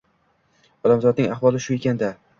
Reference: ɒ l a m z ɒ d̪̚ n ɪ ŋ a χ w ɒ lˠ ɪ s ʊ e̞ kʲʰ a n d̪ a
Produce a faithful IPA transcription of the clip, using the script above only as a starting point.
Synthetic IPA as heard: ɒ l a m z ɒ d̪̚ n ɪ ŋ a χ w ɒ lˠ ɪ ʃ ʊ e̞ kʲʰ a n d̪ a